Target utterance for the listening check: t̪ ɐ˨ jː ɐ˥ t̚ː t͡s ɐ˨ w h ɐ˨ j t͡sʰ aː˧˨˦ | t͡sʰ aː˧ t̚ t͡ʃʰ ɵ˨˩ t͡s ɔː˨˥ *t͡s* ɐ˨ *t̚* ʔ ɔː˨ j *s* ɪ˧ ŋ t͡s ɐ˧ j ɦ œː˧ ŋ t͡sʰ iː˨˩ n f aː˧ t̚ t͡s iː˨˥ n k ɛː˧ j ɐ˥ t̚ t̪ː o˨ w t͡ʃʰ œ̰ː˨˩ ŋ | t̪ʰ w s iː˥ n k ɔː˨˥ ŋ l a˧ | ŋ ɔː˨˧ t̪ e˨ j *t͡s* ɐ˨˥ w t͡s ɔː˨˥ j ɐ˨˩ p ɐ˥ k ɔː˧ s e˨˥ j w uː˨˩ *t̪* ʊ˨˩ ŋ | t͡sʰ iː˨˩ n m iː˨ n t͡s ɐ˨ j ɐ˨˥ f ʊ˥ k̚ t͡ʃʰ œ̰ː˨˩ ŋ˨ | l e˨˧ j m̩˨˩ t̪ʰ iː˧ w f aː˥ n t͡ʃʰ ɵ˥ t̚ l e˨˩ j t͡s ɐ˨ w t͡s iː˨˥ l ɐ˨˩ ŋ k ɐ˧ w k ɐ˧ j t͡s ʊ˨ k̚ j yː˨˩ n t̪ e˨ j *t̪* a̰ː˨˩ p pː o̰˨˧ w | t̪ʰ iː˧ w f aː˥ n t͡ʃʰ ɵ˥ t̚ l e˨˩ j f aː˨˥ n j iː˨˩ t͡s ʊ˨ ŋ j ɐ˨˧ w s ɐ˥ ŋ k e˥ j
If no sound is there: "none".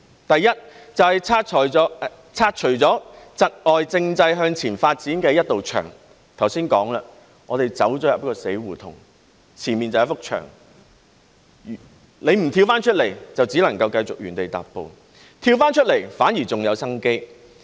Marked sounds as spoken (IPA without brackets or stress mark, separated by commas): t͡s, t̚, t͡s, t͡s, t̪ʰ, t̪